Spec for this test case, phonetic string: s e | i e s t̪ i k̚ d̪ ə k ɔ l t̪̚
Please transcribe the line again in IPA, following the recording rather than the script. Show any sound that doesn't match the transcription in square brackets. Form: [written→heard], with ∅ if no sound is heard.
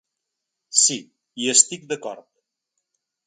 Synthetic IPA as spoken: s [e→i] | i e s t̪ i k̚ d̪ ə k ɔ [l→ɾ] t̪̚

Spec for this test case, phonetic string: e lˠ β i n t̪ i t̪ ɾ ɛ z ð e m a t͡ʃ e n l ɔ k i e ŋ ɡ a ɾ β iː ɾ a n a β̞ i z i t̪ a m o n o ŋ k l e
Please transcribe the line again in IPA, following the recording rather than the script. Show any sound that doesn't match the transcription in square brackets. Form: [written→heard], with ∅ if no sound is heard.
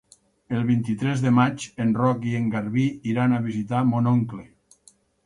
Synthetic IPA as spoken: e lˠ β i n t̪ i t̪ ɾ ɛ z ð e m a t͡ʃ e n [l→r] ɔ k i e ŋ ɡ a ɾ β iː ɾ a n a β̞ i z i t̪ a m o n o ŋ k l e

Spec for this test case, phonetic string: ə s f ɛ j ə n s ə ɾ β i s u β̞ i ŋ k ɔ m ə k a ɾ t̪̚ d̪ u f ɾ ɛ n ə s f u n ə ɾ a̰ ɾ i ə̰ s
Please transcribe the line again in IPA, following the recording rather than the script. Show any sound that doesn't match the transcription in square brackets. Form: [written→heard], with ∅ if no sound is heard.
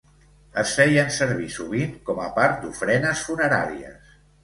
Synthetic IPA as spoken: ə s f ɛ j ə n s ə ɾ β i s u β̞ i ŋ k ɔ m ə [k→p] a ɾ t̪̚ d̪ u f ɾ ɛ n ə s f u n ə ɾ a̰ ɾ i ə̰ s

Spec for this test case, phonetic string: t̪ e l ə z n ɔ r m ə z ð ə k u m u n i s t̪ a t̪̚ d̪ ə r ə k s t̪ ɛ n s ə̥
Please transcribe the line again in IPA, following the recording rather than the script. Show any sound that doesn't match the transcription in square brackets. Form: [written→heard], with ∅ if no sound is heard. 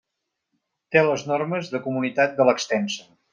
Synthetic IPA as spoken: t̪ e l ə z n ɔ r m ə z ð ə k u m u n i [s→∅] t̪ a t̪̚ d̪ ə [r→l] ə k s t̪ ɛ n s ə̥

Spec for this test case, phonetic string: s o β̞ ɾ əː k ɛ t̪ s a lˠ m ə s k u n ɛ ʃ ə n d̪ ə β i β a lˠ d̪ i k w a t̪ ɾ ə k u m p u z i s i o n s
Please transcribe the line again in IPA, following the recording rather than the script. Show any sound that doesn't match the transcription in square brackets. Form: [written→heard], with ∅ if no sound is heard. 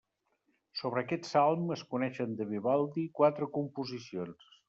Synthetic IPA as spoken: s o β̞ ɾ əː k ɛ t̪ s a lˠ m ə s k u n ɛ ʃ ə n d̪ ə β i β a lˠ d̪ i k w a t̪ ɾ ə k u m p u z i s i o n s

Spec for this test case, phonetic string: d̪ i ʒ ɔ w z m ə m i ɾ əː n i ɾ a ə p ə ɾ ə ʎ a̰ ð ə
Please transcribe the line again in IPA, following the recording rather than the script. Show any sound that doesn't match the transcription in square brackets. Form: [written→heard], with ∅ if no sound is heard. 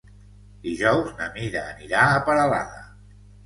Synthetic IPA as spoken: d̪ i ʒ ɔ w z [m→n] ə m i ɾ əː n i ɾ a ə p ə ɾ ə [ʎ→l] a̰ ð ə

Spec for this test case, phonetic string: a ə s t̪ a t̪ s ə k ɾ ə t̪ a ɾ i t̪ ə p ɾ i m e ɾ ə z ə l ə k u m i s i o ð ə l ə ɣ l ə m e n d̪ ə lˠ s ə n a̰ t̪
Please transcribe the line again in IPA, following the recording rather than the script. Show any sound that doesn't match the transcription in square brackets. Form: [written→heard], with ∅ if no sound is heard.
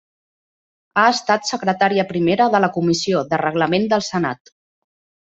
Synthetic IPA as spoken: a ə s t̪ a t̪ s ə k ɾ ə t̪ a ɾ i [t̪→∅] ə p ɾ i m e ɾ ə [z→ð] ə l ə k u m i s i o ð ə [l→r] ə ɣ l ə m e n d̪ ə lˠ s ə n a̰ t̪

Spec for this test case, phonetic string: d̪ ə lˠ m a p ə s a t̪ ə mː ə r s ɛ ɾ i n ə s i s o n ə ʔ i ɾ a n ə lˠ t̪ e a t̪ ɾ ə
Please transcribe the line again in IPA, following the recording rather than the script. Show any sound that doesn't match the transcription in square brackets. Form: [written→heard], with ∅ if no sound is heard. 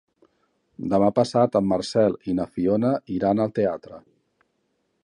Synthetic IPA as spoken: d̪ ə [lˠ→∅] m a p ə s a t̪ ə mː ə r s ɛ [ɾ→l] i n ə [s→f] i [s→∅] o n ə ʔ i ɾ a n ə lˠ t̪ e a t̪ ɾ ə

